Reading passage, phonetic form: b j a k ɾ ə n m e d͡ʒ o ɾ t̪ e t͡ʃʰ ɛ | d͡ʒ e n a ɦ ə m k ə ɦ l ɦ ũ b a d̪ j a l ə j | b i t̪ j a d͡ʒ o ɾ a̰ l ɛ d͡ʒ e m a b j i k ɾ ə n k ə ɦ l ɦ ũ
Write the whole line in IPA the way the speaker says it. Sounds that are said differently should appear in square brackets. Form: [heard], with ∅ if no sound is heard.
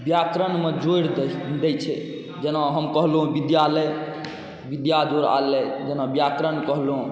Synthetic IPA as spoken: b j a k ɾ ə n m e d͡ʒ o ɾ [d̪] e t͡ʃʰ ɛ | d͡ʒ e n a ɦ ə m k ə ɦ l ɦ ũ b [i] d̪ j a l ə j | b i [d̪] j a d͡ʒ o ɾ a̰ l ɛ d͡ʒ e [n] a b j [a] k ɾ ə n k ə ɦ l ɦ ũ

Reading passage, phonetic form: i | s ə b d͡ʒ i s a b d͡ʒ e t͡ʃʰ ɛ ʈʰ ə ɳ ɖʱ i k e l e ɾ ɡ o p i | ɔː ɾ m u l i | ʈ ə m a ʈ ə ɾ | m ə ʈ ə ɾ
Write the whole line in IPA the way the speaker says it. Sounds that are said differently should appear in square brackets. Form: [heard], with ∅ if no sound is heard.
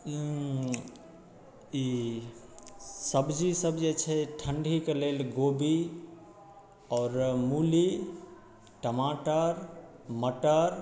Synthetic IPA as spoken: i | s ə b d͡ʒ i s [ə] b d͡ʒ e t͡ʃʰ ɛ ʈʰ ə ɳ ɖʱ i k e l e [l] ɡ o [b] i | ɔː ɾ m u l i | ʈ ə m a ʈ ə ɾ | m ə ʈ ə ɾ

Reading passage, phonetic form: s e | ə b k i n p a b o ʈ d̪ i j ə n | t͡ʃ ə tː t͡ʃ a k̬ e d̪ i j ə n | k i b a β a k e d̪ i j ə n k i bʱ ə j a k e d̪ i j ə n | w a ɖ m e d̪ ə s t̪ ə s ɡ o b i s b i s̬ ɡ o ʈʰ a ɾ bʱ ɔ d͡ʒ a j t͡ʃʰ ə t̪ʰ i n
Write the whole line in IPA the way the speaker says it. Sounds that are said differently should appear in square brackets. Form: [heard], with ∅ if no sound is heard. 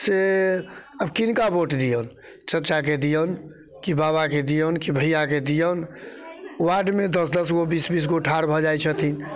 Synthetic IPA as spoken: s e | ə b k i n [k] a b o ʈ d̪ i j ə n | t͡ʃ ə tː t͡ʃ a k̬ e d̪ i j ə n | k i b a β a k e d̪ i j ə n k i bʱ ə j a k e d̪ i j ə n | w a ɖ m e d̪ ə s [d̪] ə s ɡ o b i s b i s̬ ɡ o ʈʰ a ɾ bʱ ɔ d͡ʒ a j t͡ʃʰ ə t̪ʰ i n

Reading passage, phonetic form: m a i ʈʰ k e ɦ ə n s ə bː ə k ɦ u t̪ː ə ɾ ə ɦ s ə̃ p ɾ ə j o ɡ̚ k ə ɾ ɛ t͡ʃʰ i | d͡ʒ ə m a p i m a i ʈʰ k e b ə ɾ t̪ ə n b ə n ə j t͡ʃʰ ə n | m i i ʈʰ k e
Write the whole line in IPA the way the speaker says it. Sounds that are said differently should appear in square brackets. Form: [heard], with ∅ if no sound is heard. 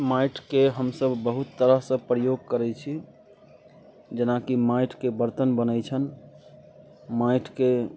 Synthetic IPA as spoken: m a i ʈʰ k e ɦ ə [m] s ə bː ə [∅] ɦ u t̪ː ə ɾ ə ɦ s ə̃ p ɾ ə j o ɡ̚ k ə ɾ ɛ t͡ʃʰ i | d͡ʒ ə [n] a [k] i m a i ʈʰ k e b ə ɾ t̪ ə n b ə n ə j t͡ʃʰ ə n | m [a] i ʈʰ k e

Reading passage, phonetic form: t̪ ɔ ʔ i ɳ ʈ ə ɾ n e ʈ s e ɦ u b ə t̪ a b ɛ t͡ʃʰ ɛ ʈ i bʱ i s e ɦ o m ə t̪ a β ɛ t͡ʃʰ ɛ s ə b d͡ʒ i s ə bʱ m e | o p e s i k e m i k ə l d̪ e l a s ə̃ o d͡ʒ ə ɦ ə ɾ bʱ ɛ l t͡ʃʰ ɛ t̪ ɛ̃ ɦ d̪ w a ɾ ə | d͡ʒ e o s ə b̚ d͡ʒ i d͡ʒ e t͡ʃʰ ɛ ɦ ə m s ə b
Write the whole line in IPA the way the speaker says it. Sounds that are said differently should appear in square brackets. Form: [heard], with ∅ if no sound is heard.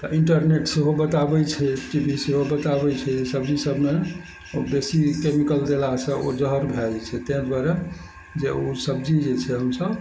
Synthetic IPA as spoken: t̪ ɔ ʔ i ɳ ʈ ə ɾ n e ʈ s e ɦ [o] b ə t̪ a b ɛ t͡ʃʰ ɛ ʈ i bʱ i s e ɦ o [b] ə t̪ a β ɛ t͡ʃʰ ɛ s ə b d͡ʒ i s ə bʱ m e | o [b] e s i k e m i k ə l d̪ e l a s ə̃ o d͡ʒ ə ɦ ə ɾ bʱ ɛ l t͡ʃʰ ɛ t̪ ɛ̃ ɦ d̪ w a ɾ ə | d͡ʒ e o s ə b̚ d͡ʒ i d͡ʒ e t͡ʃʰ ɛ ɦ ə m s ə b

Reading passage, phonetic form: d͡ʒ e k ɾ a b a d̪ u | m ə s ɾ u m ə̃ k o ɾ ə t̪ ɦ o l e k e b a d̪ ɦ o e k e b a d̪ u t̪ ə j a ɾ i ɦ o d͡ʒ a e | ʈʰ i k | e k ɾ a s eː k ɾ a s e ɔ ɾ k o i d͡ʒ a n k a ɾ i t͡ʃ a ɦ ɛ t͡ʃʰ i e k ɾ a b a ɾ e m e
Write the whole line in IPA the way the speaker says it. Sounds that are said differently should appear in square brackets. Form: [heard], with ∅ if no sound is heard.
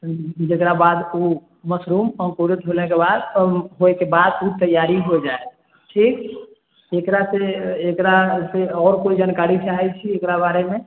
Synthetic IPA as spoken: d͡ʒ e k ɾ a b a d̪ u | m ə s ɾ u m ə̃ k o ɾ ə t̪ ɦ o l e k e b a d̪ ɦ o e k e b a d̪ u t̪ ə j a ɾ i ɦ o d͡ʒ a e | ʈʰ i k | e k ɾ a s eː k ɾ a s e ɔ ɾ k o i d͡ʒ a n k a ɾ i t͡ʃ a ɦ ɛ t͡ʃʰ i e k ɾ a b a ɾ e m e

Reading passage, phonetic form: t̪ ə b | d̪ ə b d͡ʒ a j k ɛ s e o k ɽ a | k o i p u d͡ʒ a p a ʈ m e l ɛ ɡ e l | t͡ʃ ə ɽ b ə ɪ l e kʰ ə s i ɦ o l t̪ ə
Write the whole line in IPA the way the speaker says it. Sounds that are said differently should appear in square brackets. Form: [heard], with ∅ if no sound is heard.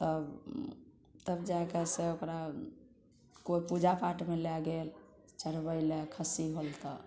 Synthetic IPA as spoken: t̪ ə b | [t̪] ə b d͡ʒ a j k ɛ s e o k [ɾ] a | k o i p u d͡ʒ a p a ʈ m e l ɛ ɡ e l | t͡ʃ ə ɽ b ə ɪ l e kʰ ə s i ɦ o l t̪ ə

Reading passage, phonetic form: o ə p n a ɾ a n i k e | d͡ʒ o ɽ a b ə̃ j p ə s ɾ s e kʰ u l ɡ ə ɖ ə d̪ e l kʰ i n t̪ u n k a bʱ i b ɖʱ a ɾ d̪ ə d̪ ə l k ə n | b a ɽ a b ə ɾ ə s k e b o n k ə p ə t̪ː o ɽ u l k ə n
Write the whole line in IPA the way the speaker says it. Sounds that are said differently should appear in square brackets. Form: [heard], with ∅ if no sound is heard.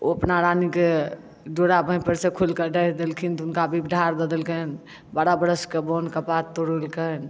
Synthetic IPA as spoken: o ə p n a ɾ a n i k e | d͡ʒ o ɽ a b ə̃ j p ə [∅] ɾ s e kʰ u l [k] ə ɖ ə d̪ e l kʰ i n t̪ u n k a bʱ i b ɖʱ a ɾ d̪ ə d̪ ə l k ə n | b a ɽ a b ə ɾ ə s k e b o n k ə p [a] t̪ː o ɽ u l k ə n

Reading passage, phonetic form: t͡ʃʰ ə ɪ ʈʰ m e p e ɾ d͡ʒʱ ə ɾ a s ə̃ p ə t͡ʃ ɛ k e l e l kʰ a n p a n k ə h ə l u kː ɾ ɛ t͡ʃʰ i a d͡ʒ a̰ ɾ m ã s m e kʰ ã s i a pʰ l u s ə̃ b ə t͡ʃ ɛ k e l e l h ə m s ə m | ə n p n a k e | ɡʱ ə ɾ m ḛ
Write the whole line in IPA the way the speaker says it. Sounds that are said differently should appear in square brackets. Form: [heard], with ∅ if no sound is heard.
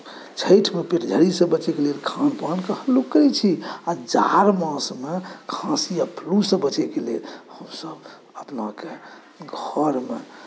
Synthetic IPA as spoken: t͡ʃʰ ə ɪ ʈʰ m e p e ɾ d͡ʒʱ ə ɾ [i] s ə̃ [b] ə t͡ʃ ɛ k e l e l kʰ a n p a n k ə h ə l u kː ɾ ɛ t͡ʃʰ i a d͡ʒ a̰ ɾ m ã s m e kʰ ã s i a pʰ l u s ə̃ b ə t͡ʃ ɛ k e l e l h ə m s ə [b] | ə [∅] p n a k e | ɡʱ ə ɾ m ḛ

